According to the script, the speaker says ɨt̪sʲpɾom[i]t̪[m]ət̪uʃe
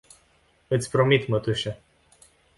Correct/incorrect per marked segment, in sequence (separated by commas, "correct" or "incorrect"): correct, correct